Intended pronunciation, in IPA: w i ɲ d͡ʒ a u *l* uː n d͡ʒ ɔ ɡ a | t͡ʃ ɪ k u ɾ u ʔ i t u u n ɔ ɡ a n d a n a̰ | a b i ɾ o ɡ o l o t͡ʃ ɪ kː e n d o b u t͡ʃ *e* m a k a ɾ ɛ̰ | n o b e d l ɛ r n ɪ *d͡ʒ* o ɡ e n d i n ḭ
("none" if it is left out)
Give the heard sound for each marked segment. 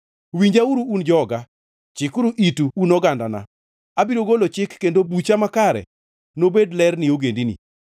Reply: ɾ, a, none

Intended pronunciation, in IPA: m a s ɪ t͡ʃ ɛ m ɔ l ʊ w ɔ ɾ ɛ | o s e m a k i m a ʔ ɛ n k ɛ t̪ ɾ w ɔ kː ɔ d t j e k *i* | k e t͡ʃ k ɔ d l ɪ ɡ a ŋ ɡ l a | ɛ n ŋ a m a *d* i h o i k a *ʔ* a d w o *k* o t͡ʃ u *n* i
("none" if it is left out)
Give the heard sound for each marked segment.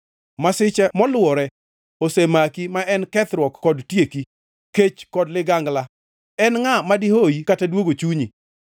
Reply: i, d, t, ɡ, ɲ

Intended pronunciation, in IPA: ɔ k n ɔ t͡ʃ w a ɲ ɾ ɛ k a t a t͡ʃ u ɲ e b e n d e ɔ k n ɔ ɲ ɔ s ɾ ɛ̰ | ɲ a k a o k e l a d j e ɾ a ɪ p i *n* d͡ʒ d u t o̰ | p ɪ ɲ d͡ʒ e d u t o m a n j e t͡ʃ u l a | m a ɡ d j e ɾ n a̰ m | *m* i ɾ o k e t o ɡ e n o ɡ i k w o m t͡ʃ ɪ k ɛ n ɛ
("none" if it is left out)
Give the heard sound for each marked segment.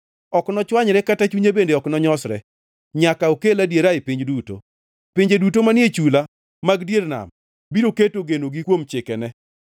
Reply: ɲ, b

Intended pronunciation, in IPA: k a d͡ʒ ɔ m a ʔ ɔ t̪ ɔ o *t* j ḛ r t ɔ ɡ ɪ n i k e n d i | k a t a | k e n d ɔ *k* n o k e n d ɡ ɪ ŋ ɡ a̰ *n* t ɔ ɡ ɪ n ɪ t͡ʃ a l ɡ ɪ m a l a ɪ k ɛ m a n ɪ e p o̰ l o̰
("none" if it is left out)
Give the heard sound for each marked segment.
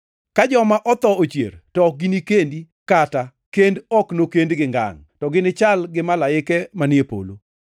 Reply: t͡ʃ, k, ŋ

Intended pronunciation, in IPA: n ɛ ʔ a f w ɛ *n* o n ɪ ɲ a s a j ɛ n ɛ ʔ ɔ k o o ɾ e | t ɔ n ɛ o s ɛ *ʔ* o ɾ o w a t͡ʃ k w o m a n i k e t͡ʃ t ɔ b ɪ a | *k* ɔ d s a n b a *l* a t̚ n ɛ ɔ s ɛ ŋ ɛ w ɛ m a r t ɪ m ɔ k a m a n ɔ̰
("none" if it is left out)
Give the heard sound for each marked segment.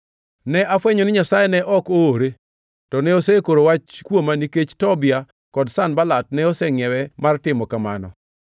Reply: ɲ, k, k, l

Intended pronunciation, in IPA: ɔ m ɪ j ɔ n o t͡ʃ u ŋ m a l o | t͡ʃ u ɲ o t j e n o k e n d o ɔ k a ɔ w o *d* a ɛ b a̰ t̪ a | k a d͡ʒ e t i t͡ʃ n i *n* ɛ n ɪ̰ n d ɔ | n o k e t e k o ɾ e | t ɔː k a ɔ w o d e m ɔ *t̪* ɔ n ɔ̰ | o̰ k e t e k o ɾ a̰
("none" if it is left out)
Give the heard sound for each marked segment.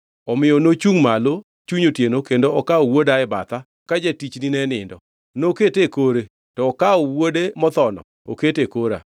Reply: d, n, t̪

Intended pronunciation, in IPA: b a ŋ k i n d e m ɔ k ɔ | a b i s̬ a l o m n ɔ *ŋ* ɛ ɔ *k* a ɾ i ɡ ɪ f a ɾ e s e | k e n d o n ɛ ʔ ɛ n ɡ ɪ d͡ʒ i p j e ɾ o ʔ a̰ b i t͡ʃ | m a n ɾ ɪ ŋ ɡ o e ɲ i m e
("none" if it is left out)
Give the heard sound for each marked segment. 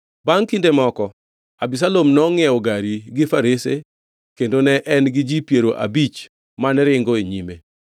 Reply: ŋ, ɡ

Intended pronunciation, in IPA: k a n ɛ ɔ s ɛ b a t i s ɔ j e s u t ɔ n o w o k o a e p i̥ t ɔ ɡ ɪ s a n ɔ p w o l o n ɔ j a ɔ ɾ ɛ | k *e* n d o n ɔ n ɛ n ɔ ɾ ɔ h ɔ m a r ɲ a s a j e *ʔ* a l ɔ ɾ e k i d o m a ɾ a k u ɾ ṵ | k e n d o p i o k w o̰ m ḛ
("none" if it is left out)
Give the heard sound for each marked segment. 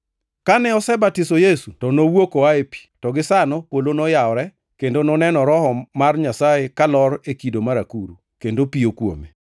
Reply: e, k

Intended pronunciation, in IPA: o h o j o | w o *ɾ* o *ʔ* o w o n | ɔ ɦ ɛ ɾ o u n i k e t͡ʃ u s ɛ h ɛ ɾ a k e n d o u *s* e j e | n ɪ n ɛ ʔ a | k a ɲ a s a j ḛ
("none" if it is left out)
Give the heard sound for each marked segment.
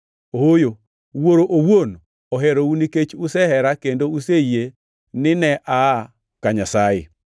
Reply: ɾ, ʔ, s

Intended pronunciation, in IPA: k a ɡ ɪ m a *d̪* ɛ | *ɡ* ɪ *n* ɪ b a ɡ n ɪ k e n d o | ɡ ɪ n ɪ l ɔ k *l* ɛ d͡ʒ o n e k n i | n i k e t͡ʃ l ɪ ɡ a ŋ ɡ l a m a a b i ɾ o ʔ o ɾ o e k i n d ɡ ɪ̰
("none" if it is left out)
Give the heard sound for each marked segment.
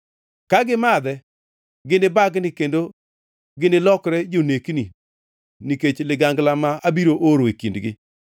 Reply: d̪, ɡ, n, ɾ

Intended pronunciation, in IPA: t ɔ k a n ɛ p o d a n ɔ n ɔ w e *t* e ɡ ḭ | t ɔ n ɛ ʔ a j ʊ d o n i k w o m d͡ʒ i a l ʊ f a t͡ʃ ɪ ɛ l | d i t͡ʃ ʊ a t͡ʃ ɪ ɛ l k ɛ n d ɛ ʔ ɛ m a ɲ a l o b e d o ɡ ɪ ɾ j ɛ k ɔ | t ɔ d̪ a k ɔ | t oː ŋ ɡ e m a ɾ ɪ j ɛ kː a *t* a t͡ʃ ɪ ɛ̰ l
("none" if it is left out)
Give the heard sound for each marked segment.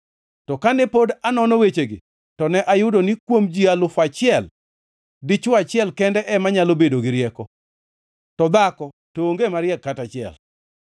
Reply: t͡ʃ, t

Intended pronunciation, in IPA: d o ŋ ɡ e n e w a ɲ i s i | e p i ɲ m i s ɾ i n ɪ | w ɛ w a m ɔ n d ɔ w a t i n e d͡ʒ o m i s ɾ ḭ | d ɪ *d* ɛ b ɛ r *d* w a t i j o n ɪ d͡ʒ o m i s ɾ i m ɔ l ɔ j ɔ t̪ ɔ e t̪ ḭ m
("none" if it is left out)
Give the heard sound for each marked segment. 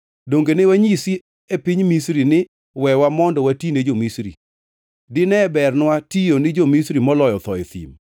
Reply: n, n

